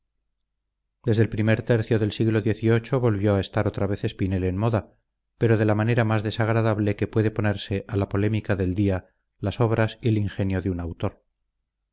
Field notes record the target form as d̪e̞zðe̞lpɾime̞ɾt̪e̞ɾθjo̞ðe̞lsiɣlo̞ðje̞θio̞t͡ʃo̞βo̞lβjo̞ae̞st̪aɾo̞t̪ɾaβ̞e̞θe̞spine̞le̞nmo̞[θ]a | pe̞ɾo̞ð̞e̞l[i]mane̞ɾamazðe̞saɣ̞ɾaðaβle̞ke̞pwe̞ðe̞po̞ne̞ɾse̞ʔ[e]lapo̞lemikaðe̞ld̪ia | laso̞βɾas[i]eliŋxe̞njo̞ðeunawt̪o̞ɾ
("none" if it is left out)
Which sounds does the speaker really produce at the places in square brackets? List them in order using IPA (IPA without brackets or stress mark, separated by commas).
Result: ð, a, a, i